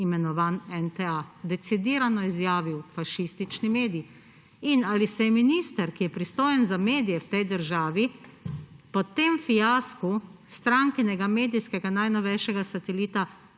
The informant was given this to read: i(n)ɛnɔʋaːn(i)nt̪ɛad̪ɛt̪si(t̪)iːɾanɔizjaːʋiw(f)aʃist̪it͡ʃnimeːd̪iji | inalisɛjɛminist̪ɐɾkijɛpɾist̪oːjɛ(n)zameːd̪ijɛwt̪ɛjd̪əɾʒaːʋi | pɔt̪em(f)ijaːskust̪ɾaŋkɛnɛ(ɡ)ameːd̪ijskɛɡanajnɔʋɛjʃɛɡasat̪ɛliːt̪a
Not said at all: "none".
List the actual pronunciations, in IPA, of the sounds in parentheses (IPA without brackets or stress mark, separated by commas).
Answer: m, ɛ, d̪, f, n, f, ɡ